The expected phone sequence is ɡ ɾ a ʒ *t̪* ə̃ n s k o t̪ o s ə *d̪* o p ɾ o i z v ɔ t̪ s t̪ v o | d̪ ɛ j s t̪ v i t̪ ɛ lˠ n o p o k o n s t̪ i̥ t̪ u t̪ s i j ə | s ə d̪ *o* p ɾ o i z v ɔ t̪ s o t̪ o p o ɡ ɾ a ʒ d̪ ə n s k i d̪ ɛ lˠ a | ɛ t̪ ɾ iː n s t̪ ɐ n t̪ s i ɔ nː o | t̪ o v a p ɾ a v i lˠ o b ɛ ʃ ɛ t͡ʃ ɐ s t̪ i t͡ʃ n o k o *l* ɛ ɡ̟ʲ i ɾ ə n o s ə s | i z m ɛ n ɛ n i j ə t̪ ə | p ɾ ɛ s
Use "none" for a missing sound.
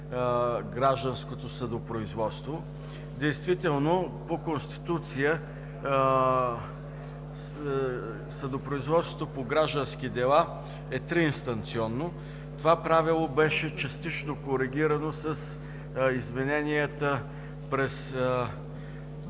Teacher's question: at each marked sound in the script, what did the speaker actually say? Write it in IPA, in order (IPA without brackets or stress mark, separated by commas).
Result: d̪, d̪, o, ɾ